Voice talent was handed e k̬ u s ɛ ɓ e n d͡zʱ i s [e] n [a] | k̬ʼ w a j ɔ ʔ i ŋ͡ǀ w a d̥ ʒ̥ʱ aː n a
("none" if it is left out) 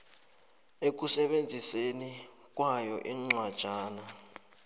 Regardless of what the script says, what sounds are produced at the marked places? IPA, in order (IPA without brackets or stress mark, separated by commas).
e, i